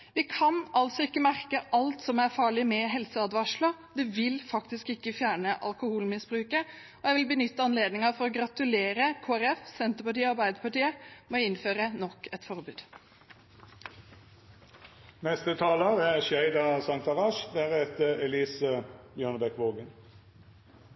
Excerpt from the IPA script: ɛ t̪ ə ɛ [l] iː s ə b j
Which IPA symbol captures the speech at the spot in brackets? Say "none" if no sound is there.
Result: l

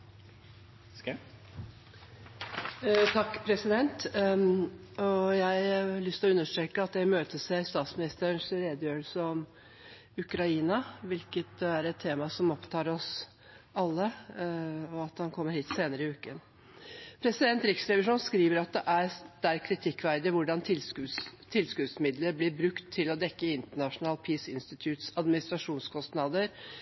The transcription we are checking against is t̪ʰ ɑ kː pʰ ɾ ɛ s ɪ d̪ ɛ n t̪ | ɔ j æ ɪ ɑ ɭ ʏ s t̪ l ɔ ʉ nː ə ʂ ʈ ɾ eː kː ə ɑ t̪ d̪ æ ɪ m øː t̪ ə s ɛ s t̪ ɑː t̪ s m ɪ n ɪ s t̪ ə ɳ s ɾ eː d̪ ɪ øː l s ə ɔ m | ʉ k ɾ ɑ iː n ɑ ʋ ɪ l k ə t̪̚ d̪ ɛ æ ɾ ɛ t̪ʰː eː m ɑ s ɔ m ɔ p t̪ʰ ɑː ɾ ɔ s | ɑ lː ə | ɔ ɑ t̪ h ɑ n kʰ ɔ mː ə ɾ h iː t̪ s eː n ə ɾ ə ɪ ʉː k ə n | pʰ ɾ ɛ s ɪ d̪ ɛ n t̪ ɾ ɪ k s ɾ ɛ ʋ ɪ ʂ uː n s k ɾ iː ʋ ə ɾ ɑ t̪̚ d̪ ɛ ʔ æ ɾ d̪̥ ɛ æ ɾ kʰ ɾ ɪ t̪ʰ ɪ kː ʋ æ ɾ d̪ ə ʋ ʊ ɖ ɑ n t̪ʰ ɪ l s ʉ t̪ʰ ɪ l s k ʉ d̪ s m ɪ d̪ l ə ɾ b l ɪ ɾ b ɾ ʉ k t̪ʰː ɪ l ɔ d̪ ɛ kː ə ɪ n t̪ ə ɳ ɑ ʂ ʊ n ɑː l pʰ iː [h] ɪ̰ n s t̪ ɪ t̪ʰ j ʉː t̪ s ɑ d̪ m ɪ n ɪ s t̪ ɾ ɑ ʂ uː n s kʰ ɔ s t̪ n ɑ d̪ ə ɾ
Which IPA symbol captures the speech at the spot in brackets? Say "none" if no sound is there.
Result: s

